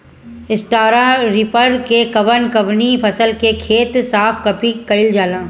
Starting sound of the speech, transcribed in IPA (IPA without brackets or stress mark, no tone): ɪ